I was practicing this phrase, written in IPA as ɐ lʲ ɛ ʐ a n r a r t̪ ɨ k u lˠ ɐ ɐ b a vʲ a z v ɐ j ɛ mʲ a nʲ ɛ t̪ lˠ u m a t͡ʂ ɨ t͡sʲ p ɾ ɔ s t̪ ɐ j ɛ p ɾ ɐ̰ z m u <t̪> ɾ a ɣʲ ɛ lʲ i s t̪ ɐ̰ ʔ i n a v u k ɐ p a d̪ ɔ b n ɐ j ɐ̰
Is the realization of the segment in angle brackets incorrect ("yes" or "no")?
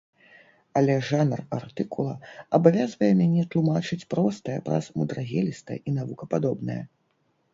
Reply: yes